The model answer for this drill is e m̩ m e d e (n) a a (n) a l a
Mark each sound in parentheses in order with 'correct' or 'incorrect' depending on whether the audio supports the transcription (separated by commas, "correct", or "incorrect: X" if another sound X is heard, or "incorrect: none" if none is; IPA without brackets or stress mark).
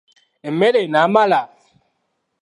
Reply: correct, incorrect: m